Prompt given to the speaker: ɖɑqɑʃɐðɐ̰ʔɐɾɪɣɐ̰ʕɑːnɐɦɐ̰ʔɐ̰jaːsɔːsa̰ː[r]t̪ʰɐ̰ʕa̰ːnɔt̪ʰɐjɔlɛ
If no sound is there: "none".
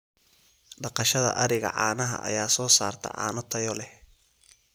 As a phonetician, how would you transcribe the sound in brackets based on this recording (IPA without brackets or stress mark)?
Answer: r